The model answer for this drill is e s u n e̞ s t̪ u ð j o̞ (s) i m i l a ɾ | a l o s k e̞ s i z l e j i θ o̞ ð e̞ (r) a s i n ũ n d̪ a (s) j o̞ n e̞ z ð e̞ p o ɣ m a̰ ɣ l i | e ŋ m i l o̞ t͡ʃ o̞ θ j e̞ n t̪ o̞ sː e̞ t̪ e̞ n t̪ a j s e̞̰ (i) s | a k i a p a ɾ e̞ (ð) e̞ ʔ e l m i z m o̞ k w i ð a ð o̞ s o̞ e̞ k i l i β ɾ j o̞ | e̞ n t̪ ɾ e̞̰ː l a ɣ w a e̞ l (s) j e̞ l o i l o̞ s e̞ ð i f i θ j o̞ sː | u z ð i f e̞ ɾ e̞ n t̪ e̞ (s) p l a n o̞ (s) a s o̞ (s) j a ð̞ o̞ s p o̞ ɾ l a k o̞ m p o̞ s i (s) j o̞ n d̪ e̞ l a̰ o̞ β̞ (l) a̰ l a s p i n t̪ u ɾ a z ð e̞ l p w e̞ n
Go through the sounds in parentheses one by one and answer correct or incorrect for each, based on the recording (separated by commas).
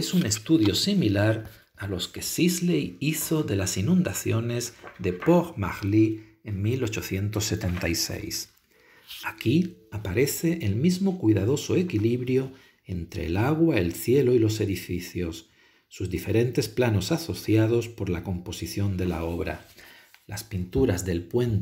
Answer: correct, incorrect, incorrect, incorrect, incorrect, incorrect, correct, correct, incorrect, incorrect, incorrect